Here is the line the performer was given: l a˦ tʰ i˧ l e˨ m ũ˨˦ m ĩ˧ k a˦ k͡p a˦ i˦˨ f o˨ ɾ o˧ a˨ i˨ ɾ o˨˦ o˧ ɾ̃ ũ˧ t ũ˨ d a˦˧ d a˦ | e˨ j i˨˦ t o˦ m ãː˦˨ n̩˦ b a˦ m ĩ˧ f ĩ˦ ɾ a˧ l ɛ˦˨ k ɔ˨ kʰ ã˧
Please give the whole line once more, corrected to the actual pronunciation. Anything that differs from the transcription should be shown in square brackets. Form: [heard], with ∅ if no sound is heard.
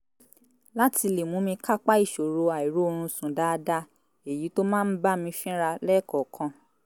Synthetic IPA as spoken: l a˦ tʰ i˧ l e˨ m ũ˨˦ m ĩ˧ k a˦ k͡p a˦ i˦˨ [ʃ] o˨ ɾ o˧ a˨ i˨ ɾ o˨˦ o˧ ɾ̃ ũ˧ [s] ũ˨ d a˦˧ d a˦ | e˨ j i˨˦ t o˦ m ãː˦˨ n̩˦ b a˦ m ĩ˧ f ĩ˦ ɾ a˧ l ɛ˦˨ k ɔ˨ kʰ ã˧

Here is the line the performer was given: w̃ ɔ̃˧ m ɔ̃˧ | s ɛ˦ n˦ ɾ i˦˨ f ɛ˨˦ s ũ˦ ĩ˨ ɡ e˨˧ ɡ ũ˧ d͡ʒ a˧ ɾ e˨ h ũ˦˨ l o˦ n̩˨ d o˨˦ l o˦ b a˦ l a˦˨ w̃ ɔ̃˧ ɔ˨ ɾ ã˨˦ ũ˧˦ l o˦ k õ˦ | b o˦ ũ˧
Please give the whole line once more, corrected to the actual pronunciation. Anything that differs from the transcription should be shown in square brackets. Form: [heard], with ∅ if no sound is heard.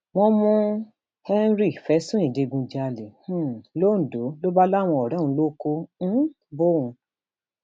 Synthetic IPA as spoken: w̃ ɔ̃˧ m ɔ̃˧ | [h] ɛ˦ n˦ ɾ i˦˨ f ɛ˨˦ s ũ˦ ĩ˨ [d] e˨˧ ɡ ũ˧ d͡ʒ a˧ [l] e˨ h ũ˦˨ l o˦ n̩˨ d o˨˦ l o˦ b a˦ l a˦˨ w̃ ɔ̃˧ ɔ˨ ɾ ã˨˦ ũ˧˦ l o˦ k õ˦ | b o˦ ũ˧

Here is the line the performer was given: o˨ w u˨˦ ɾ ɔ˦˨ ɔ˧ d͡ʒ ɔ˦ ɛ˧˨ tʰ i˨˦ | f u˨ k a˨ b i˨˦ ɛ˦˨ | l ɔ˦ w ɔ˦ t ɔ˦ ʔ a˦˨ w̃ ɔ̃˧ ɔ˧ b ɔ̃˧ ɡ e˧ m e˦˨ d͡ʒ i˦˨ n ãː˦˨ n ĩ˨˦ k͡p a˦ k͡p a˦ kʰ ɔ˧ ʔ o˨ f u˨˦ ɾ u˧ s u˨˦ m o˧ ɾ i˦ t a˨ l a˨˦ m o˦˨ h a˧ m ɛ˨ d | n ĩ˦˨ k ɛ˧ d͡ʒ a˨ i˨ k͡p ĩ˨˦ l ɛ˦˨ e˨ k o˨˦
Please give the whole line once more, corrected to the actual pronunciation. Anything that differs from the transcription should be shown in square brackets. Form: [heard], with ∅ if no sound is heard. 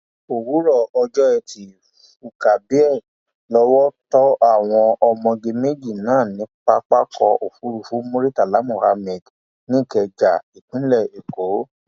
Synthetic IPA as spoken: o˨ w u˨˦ ɾ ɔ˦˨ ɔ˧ d͡ʒ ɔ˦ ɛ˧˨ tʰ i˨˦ | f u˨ k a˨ b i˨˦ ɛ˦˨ | l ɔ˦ w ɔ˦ t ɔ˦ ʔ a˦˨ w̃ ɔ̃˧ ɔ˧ [m] ɔ̃˧ ɡ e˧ m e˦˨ d͡ʒ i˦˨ n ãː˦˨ n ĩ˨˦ k͡p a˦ k͡p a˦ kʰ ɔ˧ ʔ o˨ f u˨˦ ɾ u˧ [f] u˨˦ m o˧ ɾ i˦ t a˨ l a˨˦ m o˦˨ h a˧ m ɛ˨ d | n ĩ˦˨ k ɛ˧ d͡ʒ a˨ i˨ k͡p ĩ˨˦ l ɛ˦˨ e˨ k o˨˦

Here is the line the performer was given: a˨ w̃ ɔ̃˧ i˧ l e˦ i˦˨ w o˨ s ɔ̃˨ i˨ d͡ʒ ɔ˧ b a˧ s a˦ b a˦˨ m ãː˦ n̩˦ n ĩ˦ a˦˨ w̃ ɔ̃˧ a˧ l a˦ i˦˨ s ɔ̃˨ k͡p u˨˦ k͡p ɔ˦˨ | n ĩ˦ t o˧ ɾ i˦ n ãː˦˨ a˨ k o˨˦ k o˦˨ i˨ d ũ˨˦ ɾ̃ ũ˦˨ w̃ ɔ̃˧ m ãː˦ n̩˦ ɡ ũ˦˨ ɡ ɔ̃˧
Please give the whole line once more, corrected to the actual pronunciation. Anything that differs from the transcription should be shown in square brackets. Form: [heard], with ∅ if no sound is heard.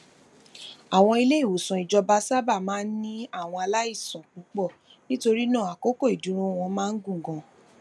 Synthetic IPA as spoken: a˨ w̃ ɔ̃˧ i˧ l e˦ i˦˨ w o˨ s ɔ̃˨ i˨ d͡ʒ ɔ˧ b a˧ s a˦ b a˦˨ m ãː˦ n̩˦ n ĩ˦ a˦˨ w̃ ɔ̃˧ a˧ l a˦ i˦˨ s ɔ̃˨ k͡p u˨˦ k͡p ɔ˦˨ | n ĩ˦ t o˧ ɾ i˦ n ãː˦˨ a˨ k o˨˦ k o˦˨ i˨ d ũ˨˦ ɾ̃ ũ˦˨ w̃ ɔ̃˧ m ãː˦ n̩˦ ɡ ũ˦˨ ɡ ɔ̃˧

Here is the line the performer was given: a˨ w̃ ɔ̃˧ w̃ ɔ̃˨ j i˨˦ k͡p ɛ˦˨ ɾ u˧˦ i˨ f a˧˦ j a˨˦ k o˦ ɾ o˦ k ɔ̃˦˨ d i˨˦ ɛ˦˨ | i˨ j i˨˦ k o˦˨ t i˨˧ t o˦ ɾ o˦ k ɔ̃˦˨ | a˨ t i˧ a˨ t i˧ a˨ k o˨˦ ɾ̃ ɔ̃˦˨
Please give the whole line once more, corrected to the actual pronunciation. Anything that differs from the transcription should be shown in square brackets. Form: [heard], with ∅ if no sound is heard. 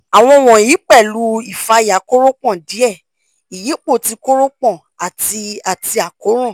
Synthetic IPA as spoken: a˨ w̃ ɔ̃˧ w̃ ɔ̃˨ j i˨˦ k͡p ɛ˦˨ [l] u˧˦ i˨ f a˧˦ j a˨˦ k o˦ ɾ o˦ [k͡p] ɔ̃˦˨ d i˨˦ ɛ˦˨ | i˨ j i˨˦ [k͡p] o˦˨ t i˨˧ [k] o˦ ɾ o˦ [k͡p] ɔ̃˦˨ | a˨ t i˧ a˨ t i˧ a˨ k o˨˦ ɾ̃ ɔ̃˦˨

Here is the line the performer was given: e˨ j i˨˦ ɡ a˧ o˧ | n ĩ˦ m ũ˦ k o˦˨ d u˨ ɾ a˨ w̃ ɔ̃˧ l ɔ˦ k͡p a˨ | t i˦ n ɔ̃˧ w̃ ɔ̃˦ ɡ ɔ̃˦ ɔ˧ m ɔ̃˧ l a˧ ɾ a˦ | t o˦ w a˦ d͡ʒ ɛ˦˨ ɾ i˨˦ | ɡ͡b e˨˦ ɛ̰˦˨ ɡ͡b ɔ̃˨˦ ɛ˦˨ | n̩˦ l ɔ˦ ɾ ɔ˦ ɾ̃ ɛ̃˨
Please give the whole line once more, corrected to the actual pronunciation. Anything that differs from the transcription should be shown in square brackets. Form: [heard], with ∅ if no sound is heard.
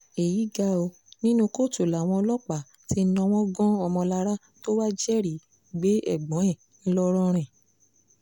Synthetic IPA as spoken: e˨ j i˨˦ ɡ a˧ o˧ | n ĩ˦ [n] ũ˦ k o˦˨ [t] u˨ [l] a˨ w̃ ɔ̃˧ l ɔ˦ k͡p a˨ | t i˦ n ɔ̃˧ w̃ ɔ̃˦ ɡ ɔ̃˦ ɔ˧ m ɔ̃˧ l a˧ ɾ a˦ | t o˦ w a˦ d͡ʒ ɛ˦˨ ɾ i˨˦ | ɡ͡b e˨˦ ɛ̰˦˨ ɡ͡b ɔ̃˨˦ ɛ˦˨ | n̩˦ l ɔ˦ ɾ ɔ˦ ɾ̃ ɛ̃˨

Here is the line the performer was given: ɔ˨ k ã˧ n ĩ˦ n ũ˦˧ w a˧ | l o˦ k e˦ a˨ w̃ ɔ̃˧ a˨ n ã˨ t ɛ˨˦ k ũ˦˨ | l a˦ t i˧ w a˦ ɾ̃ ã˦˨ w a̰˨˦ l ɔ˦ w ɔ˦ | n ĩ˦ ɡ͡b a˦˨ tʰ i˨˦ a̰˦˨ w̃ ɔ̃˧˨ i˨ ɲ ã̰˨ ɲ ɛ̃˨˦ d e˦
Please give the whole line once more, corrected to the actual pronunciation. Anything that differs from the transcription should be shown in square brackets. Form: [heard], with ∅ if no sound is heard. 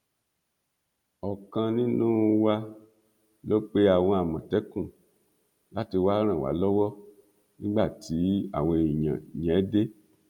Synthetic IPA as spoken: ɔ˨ k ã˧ n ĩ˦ n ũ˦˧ w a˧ | l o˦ [k͡p] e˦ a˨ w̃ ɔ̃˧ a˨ [m] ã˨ t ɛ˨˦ k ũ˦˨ | l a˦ t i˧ w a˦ ɾ̃ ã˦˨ w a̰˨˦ l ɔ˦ w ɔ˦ | n ĩ˦ ɡ͡b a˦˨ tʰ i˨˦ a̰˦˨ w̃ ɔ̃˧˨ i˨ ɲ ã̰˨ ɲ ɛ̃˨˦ d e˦

